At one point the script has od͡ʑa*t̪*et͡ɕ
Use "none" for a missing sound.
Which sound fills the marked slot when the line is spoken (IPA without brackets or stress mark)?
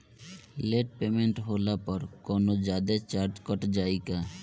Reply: d̪